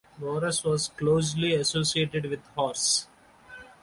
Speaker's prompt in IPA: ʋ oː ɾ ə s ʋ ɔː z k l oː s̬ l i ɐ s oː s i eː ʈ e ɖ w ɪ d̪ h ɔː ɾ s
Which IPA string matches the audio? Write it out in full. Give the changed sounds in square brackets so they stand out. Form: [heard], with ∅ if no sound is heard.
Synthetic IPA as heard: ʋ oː ɾ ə s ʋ ɔː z k l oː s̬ l i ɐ s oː s i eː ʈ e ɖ [ʋ] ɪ d̪ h ɔː ɾ s